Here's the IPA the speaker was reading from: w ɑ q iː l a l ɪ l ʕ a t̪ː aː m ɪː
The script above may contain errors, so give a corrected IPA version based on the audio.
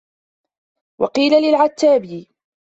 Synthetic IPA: w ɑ q iː l a l ɪ l ʕ a t̪ː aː b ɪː

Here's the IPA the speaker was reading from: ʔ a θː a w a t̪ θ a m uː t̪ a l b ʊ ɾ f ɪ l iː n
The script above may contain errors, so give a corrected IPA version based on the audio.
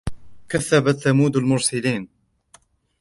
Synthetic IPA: k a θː a b a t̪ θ a m uː d̪ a l m ʊ ɾ s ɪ l iː n

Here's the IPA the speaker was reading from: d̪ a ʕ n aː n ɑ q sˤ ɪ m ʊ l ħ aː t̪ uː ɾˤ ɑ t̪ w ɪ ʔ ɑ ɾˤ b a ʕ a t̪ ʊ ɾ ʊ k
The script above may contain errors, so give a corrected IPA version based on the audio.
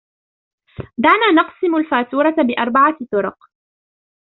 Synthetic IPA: d̪ a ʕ n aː n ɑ q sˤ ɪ m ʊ l f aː t̪ uː ɾˤ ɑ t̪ b ɪ ʔ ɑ ɾˤ b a ʕ a t̪ ʊ ɾ ʊ q

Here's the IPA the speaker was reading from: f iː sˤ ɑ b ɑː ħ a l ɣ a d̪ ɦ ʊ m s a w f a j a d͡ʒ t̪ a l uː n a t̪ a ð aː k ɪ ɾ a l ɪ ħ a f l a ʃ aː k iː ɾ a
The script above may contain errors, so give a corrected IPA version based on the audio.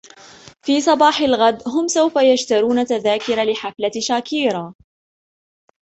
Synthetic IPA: f iː sˤ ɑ b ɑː ħ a l ɣ a d̪ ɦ ʊ m s a w f a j a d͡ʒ t̪ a ɾ uː n a t̪ a ð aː k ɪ ɾ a l ɪ ħ a f l a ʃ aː k iː ɾ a

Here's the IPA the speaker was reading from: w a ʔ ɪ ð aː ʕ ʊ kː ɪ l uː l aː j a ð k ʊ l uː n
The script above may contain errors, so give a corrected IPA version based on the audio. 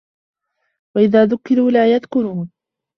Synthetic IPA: w a ʔ ɪ ð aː ð ʊ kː ɪ ɾ uː l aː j a ð k ʊ ɾ uː n

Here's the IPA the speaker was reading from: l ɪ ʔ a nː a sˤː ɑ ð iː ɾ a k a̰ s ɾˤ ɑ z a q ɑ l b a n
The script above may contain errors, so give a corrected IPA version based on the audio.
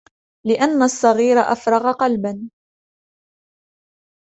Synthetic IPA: l ɪ ʔ a nː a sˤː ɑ ɣ iː ɾ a ʔ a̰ f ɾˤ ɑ ɣ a q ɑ l b a n

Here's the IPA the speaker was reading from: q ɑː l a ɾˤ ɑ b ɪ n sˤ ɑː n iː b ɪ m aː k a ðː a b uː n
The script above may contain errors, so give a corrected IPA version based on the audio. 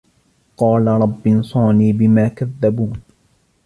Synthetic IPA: q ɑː l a ɾˤ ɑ bː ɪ n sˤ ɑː n iː b ɪ m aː k a ðː a b uː n

